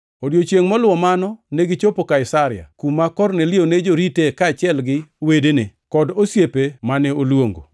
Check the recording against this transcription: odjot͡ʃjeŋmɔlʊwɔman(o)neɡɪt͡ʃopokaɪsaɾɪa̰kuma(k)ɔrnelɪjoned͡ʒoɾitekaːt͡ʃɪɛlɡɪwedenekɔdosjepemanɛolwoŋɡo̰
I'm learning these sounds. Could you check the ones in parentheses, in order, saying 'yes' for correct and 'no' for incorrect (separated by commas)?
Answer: no, yes